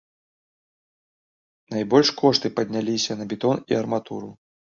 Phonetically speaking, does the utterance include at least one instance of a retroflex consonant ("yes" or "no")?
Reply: yes